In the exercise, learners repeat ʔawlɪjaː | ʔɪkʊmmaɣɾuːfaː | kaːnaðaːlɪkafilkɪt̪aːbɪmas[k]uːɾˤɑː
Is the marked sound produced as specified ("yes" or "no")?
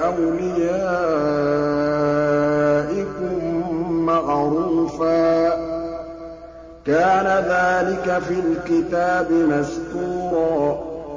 yes